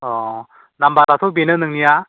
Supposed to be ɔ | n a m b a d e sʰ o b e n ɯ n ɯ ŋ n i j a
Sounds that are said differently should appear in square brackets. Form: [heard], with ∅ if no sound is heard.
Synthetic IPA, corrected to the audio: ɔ | n a m b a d [a] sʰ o b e n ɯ n ɯ ŋ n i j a